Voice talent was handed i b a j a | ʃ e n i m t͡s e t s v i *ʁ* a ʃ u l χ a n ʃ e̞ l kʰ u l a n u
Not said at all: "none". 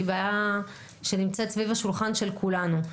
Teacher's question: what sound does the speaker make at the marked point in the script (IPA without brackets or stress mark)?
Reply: v